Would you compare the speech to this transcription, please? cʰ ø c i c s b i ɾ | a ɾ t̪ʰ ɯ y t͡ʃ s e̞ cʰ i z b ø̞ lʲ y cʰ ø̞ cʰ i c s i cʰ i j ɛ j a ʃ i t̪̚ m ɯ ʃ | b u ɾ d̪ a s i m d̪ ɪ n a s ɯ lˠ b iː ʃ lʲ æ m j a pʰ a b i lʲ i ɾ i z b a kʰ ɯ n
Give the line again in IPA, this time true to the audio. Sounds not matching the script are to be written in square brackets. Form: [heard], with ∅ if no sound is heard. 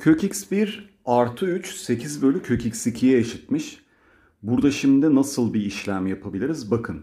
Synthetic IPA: cʰ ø c i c s b i ɾ | a ɾ t̪ʰ ɯ y t͡ʃ s e̞ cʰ i z b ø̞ lʲ y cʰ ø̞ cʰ i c s i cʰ i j ɛ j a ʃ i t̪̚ m ɯ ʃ | b u ɾ d̪ a [ʃ] i m d̪ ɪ n a s ɯ lˠ b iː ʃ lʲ æ m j a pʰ a b i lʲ i ɾ i z b a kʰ ɯ n